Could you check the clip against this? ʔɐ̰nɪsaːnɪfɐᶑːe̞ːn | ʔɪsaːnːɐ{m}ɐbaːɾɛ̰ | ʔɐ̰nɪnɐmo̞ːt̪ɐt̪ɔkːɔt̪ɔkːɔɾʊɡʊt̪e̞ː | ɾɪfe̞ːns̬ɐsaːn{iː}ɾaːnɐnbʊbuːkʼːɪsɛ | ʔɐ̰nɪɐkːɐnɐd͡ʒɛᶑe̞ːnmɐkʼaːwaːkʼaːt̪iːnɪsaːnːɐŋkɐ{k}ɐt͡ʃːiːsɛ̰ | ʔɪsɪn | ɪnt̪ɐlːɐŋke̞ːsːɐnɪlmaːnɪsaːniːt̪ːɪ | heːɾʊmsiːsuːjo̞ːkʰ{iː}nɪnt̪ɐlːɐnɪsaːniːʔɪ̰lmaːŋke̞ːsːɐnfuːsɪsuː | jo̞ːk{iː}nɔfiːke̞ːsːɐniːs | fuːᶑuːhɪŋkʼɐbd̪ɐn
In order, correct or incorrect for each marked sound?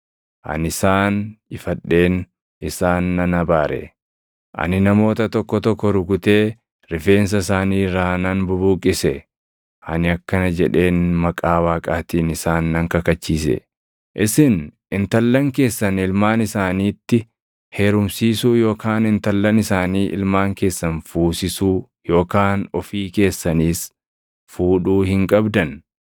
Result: incorrect, correct, correct, incorrect, incorrect

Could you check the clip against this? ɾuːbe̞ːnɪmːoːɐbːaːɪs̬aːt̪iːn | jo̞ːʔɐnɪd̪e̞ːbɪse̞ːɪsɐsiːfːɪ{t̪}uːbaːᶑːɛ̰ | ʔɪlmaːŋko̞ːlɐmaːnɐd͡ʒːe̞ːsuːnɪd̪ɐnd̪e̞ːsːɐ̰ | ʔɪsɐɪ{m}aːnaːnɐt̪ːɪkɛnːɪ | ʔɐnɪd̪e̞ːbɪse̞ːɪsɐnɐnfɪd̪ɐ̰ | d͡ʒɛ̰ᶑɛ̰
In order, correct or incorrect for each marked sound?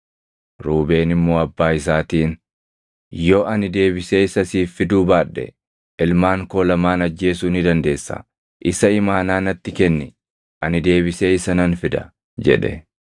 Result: incorrect, correct

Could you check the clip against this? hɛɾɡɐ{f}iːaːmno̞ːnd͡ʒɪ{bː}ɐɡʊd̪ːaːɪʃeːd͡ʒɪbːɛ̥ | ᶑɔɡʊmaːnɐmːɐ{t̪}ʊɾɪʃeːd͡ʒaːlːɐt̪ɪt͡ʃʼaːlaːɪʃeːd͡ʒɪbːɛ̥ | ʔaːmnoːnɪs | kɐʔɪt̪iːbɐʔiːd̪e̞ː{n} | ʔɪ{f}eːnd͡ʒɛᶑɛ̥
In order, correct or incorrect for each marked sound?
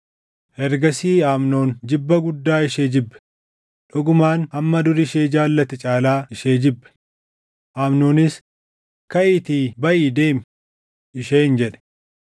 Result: incorrect, correct, incorrect, incorrect, incorrect

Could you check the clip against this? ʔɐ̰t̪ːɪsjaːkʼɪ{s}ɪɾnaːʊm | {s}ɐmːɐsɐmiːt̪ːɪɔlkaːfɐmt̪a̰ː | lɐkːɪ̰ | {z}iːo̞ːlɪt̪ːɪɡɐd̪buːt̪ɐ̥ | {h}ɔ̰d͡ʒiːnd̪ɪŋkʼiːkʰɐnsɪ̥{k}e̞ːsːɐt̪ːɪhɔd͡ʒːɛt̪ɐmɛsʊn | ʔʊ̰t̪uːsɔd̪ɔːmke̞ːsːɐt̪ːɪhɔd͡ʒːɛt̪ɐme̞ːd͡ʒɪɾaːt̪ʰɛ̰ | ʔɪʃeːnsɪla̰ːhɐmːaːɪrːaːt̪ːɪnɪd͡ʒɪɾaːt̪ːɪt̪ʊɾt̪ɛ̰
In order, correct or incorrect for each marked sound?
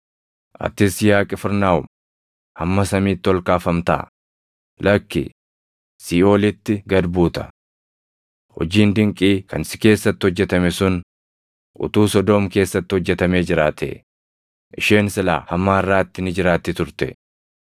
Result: incorrect, incorrect, incorrect, correct, correct

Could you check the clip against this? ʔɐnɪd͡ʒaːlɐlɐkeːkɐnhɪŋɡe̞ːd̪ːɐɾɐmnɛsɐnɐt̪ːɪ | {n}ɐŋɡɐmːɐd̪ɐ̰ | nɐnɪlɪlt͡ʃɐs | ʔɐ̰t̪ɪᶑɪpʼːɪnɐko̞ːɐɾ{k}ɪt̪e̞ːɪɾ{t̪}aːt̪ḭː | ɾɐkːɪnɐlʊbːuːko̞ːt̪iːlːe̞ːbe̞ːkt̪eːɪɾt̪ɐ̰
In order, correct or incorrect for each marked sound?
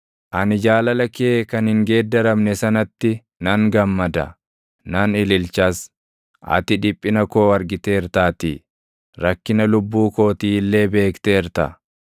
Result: correct, incorrect, correct

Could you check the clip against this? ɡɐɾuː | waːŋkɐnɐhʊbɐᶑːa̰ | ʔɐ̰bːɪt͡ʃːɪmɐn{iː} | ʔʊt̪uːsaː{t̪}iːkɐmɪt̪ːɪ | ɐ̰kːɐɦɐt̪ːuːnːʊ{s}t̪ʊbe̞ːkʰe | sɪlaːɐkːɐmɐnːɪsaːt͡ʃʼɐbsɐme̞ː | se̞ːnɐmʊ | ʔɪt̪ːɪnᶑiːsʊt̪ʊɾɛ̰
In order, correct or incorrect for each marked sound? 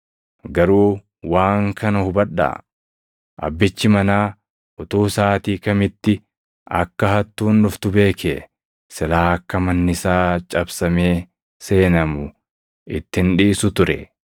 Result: incorrect, correct, incorrect

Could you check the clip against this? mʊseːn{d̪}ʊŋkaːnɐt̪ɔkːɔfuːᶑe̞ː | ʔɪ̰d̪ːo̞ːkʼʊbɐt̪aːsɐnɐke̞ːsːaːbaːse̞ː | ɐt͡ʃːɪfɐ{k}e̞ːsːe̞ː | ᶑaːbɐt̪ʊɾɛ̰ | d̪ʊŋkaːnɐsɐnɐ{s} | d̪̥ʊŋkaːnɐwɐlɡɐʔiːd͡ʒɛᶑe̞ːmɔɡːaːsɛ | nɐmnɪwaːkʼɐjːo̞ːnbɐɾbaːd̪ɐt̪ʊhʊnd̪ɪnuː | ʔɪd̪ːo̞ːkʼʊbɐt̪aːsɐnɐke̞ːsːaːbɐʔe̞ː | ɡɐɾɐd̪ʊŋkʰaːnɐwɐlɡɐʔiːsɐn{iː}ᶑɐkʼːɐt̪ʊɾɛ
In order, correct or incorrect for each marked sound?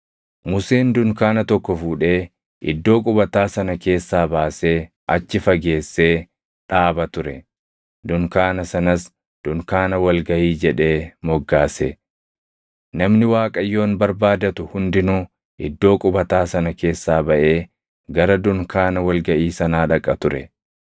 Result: correct, incorrect, correct, incorrect

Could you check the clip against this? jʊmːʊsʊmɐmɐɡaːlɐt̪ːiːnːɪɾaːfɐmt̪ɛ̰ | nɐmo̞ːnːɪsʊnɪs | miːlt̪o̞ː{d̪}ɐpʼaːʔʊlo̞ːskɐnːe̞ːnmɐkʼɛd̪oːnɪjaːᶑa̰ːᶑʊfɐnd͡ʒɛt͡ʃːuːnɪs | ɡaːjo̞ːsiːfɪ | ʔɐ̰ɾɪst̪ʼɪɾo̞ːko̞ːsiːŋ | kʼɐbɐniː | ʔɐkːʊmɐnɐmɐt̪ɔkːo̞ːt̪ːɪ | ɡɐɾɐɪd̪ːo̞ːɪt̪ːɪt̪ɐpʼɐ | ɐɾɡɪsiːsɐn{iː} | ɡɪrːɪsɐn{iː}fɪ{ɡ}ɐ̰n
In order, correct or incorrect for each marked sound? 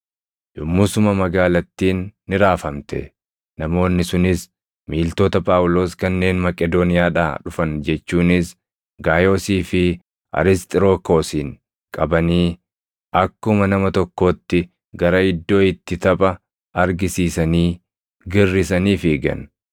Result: incorrect, correct, correct, correct

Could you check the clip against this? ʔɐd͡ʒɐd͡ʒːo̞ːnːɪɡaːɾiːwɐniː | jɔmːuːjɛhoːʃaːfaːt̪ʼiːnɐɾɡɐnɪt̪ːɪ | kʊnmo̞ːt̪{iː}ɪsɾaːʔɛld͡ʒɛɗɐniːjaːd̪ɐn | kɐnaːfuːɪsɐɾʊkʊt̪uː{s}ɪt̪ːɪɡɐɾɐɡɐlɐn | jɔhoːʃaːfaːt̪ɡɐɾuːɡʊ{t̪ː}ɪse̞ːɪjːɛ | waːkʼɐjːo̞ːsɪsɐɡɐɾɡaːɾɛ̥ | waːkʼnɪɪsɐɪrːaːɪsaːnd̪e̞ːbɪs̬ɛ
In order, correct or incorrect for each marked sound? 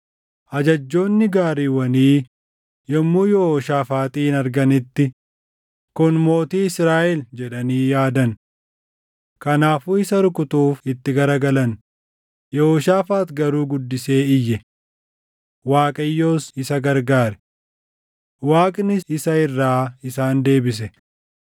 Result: correct, incorrect, incorrect

